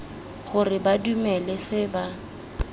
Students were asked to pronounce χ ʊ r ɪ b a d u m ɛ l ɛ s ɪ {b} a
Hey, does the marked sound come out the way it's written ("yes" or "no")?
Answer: yes